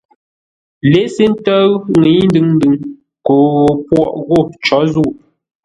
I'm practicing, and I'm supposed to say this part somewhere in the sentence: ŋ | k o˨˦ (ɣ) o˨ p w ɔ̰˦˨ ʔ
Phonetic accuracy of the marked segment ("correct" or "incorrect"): correct